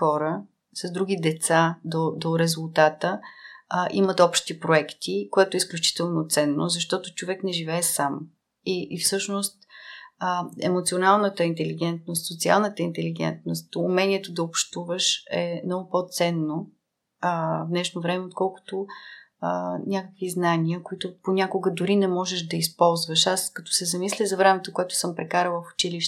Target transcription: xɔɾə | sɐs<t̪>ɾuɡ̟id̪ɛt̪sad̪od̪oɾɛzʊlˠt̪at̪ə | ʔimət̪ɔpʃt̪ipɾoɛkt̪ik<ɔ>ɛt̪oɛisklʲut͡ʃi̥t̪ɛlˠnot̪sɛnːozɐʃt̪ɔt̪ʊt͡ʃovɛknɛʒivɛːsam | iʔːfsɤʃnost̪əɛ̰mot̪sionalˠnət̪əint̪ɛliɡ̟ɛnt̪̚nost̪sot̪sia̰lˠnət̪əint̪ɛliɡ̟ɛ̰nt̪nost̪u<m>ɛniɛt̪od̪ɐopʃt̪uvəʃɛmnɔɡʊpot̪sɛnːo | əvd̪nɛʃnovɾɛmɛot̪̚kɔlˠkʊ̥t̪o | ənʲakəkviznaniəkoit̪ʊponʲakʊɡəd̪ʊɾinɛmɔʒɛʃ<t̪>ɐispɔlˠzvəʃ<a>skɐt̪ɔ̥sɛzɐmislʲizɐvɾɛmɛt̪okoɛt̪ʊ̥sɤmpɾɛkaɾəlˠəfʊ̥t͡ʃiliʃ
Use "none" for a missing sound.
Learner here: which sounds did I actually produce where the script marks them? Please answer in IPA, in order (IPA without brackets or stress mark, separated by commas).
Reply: d̪, o, m, d̪, a